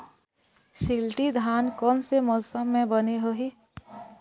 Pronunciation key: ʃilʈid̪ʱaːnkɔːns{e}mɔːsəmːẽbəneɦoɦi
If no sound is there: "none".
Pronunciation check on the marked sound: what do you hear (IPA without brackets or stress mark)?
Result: e